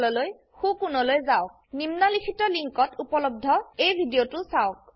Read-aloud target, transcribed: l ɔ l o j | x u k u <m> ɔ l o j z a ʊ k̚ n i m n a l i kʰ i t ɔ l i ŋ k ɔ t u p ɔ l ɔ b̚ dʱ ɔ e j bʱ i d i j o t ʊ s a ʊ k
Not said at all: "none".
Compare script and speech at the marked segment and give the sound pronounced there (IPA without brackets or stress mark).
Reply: n